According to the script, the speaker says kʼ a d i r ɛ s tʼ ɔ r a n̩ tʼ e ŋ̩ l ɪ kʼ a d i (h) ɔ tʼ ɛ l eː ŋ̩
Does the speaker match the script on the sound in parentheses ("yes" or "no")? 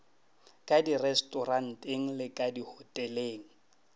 yes